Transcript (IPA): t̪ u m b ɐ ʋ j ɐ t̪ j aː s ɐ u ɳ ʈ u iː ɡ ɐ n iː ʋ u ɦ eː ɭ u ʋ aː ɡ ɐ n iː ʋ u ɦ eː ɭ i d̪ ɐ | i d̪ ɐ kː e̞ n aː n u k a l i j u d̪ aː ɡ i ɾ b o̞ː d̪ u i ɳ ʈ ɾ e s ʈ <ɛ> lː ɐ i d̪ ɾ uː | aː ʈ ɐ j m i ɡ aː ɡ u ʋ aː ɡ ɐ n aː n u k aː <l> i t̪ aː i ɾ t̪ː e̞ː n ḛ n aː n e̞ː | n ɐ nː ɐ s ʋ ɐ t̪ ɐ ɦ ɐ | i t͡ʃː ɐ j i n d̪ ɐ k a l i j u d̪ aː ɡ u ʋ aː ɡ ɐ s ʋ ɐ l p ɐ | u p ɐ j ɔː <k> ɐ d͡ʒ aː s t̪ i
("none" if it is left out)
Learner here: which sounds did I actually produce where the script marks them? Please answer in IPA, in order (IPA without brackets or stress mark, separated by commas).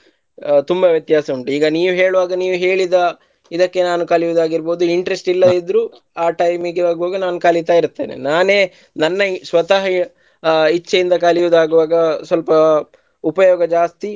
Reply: i, l, ɡ